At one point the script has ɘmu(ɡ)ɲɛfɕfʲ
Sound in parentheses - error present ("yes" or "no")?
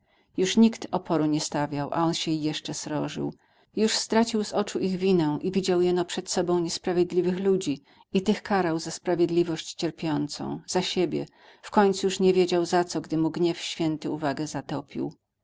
no